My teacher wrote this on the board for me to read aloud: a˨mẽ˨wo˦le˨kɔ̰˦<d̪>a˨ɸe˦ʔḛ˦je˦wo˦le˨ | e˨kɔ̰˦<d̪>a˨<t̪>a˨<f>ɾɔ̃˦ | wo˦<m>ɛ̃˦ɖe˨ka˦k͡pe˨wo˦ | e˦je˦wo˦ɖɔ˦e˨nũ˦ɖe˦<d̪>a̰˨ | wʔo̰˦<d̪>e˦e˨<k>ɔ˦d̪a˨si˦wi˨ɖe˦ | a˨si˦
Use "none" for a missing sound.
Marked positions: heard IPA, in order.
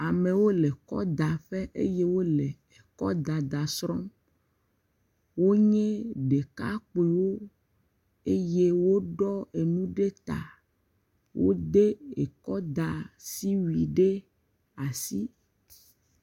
d̪, d̪, d̪, s, ɲ, t̪, d̪, k

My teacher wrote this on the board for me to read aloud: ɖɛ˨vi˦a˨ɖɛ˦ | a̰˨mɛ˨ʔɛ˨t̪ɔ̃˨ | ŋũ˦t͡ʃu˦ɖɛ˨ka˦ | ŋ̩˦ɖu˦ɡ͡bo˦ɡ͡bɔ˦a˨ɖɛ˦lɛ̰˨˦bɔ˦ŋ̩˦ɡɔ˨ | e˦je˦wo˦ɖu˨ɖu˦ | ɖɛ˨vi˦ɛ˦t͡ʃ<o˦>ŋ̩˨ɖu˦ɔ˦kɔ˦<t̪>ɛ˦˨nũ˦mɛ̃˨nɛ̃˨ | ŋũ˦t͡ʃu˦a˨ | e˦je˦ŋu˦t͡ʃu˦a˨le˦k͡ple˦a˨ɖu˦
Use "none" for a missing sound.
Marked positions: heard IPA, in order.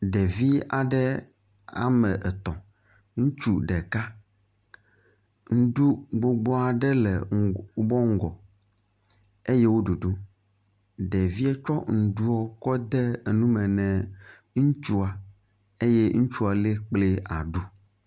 ɔ˦, d̪

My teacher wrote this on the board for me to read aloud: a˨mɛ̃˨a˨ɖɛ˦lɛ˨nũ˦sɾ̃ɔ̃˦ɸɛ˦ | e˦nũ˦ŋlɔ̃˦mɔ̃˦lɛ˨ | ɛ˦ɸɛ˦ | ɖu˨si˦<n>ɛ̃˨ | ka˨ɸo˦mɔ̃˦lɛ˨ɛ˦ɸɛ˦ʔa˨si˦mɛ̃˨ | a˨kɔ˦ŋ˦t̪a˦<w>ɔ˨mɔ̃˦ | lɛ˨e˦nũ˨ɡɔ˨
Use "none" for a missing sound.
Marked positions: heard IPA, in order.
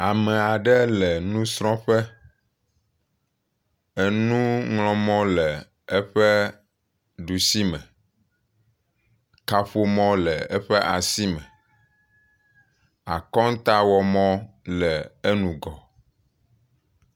m, w

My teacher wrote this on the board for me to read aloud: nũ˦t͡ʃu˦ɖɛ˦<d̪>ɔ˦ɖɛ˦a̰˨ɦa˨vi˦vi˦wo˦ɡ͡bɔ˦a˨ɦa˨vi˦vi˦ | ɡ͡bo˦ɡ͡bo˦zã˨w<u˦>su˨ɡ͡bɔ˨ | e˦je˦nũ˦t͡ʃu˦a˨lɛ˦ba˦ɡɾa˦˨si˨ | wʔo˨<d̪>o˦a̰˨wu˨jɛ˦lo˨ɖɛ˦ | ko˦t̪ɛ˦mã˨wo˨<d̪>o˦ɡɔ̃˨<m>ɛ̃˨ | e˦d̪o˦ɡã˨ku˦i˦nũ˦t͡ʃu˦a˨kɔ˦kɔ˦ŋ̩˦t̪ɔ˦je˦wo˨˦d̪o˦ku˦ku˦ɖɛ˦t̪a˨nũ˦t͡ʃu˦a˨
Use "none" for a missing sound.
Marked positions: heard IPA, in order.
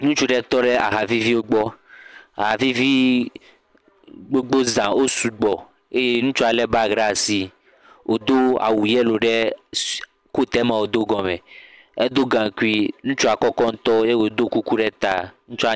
t̪, o˦, d̪, d̪, m

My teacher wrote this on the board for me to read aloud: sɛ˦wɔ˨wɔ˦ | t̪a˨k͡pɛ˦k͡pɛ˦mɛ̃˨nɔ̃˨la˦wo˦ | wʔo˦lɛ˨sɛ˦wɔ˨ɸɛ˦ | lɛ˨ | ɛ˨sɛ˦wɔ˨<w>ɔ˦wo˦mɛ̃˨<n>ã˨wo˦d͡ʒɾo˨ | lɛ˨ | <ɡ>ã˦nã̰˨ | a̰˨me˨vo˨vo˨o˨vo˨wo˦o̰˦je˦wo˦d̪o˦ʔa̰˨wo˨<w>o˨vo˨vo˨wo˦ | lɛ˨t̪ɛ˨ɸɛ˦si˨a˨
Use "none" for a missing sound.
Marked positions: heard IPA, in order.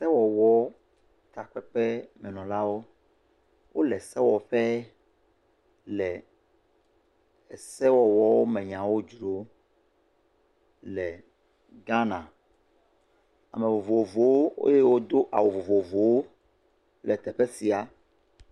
w, ɲ, ɡ, v

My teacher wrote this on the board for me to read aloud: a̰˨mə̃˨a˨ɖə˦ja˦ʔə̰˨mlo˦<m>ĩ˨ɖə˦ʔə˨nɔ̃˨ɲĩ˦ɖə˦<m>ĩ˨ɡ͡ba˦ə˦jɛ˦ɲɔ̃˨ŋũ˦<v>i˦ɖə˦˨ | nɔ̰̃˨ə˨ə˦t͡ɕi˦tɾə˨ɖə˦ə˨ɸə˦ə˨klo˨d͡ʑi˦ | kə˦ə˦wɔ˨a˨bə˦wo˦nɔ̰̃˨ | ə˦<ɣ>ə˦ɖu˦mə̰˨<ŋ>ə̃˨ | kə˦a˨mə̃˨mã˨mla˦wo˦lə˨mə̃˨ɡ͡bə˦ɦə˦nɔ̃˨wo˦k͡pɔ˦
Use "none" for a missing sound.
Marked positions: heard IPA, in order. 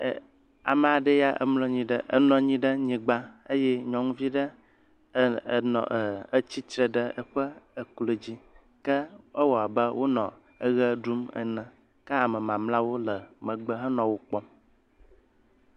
ɲ, ɲ, v, ɣ, n

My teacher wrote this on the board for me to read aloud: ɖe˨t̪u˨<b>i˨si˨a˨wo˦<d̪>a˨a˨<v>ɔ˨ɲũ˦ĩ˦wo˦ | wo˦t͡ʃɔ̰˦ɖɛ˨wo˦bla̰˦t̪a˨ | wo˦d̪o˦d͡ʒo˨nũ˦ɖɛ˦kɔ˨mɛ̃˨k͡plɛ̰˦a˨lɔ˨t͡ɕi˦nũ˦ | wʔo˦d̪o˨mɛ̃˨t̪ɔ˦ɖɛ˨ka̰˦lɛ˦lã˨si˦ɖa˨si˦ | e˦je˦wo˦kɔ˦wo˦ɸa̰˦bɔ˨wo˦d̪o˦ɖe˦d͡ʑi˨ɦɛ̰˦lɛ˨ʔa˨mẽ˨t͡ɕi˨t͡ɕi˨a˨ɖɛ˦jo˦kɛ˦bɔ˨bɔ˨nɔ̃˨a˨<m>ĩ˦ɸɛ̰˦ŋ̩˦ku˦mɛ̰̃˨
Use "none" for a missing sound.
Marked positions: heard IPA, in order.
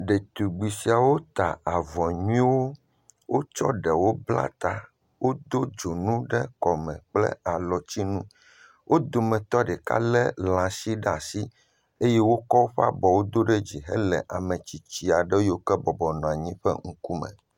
ɡ͡b, t̪, v, ɲ

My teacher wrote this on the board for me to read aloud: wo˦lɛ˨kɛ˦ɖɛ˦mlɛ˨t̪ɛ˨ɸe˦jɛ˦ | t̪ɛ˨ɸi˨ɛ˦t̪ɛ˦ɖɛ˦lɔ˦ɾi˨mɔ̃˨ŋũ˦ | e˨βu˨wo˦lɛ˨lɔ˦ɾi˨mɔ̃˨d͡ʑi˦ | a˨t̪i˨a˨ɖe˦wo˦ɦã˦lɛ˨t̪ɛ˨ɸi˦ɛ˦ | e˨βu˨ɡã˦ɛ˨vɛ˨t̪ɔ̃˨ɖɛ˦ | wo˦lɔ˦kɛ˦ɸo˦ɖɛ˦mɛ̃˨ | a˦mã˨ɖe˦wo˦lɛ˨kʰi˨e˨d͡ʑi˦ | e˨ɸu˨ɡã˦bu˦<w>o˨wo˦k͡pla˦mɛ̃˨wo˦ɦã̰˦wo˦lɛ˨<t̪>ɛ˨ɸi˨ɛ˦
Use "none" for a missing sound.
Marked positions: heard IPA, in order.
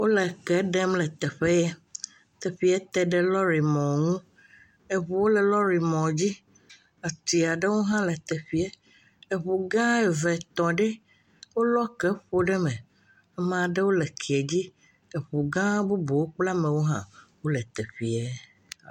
b, t̪

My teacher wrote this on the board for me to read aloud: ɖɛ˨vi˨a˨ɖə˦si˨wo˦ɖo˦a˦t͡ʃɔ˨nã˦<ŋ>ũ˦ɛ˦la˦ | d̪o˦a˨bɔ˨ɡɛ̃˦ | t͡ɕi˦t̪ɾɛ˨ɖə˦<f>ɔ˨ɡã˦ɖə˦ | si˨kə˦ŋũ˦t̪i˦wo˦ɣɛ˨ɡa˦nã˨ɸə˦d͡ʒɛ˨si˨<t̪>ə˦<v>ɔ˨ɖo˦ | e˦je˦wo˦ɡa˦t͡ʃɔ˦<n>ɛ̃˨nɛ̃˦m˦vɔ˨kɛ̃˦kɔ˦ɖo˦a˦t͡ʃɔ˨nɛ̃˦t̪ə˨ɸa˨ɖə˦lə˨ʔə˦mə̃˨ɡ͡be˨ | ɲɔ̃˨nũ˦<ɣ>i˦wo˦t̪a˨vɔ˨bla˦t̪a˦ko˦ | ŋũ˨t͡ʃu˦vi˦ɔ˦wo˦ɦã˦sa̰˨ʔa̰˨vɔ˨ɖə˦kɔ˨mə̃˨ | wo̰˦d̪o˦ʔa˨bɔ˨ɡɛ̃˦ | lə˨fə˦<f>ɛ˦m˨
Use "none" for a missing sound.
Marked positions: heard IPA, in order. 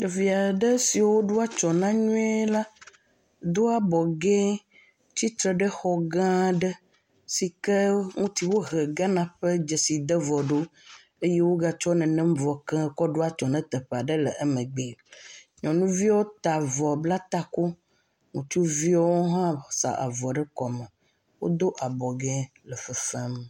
ɲ, x, d̪, v, n, v, f

